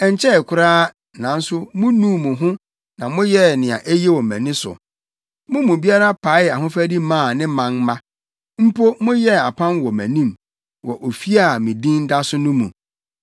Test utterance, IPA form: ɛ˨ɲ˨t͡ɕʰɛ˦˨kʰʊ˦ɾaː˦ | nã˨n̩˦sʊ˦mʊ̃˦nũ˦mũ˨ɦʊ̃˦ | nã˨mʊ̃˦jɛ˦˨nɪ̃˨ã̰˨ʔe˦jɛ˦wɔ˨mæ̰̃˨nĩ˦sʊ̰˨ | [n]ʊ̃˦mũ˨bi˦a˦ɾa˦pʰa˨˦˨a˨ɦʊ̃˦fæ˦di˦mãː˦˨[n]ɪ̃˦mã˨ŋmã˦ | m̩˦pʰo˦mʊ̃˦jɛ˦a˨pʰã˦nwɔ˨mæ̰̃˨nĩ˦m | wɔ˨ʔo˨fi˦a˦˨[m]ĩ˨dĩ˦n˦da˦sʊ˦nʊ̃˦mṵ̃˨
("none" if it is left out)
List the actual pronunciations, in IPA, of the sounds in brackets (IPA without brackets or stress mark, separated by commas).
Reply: m, n, m